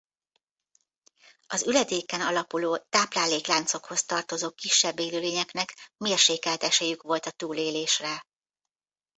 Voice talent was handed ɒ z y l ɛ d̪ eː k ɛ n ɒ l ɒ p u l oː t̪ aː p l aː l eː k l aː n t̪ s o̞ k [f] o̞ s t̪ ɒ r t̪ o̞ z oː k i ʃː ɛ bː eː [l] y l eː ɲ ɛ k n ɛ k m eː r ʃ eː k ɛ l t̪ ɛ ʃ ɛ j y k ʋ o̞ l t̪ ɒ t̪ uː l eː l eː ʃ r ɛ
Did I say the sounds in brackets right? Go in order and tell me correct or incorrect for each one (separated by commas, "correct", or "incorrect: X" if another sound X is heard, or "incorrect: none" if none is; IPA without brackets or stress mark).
incorrect: h, correct